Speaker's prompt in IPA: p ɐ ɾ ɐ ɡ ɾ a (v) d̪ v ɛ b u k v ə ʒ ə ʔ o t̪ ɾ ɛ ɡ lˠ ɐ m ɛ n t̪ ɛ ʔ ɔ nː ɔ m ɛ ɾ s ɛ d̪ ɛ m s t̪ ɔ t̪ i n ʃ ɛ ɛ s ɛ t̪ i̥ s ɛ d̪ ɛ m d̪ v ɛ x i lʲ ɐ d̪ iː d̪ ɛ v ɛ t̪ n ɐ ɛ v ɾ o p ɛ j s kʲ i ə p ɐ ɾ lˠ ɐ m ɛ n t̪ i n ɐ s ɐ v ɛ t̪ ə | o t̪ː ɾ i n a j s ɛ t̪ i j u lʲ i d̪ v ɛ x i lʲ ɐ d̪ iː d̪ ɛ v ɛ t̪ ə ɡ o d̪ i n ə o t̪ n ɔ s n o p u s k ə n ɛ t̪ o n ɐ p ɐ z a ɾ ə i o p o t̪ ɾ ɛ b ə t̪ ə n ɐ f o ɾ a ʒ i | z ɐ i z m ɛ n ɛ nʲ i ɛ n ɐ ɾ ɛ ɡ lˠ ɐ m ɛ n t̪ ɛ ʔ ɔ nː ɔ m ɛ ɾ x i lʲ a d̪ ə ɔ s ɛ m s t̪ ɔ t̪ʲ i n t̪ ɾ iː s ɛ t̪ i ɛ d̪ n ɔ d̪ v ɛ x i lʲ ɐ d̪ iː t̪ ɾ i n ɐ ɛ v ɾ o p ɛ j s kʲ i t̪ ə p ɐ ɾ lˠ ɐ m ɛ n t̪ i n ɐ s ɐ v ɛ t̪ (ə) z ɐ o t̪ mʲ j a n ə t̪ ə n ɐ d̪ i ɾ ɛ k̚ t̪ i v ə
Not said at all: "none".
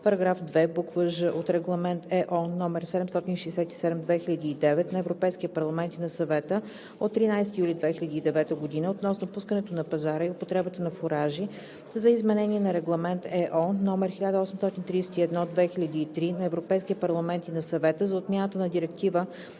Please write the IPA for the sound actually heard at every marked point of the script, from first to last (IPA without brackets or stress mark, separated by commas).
f, ə